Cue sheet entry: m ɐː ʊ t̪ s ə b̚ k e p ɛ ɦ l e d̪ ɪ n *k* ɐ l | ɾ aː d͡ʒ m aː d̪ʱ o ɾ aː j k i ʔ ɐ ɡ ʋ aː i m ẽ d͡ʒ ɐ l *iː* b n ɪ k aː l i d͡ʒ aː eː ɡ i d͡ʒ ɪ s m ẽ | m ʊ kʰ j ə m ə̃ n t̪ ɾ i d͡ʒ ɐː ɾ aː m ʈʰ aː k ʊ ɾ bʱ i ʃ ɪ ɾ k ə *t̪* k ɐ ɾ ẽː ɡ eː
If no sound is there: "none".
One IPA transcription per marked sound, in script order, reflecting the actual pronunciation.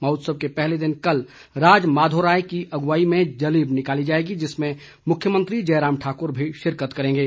k, iː, t̪

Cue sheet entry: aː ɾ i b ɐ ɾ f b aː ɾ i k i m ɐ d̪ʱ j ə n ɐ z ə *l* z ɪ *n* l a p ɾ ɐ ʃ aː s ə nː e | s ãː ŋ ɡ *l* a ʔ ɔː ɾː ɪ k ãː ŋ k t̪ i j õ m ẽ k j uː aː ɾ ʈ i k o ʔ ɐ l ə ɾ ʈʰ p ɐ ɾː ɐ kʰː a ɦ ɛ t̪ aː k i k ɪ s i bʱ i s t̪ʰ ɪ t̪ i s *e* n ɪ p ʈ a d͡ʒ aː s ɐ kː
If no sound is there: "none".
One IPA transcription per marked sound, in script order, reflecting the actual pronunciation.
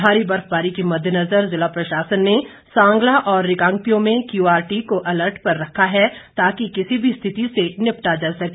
ɾ, none, l, e

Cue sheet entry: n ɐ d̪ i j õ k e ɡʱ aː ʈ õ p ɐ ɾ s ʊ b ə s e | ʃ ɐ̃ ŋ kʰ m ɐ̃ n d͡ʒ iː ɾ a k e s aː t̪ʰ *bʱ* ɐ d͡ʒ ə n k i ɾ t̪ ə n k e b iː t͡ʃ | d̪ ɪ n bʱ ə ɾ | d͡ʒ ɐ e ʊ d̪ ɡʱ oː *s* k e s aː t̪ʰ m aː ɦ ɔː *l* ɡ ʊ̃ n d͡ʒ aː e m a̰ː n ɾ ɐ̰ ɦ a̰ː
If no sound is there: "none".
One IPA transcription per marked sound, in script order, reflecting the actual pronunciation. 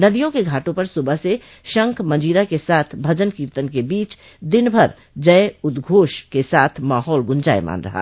bʱ, ʃ, l

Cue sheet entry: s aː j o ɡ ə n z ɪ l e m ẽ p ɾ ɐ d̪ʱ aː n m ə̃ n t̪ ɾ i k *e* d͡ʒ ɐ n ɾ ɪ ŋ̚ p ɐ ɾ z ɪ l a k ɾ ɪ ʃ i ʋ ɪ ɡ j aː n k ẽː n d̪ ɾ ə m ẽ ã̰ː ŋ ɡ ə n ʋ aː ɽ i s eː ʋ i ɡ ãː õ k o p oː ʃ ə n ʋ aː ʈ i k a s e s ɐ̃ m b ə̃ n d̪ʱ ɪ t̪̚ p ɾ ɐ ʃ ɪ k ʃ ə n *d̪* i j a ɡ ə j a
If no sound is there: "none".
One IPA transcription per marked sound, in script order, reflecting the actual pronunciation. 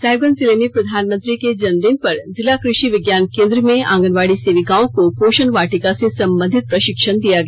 e, d̪

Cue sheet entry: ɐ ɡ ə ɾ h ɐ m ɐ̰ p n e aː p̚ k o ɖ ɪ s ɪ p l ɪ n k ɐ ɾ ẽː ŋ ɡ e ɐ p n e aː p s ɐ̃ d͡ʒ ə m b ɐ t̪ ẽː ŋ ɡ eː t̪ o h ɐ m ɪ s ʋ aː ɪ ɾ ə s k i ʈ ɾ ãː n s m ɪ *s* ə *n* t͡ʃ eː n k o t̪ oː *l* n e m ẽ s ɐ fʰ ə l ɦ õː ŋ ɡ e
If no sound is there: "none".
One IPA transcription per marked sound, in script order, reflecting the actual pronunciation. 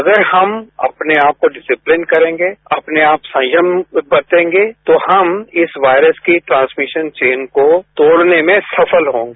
ʃ, n, ɽ

